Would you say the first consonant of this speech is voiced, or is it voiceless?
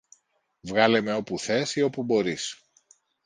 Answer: voiced